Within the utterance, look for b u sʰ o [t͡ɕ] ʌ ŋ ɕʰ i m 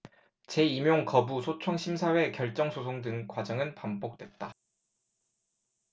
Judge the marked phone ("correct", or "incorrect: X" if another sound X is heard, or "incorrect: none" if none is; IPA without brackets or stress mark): incorrect: t͡ɕʰ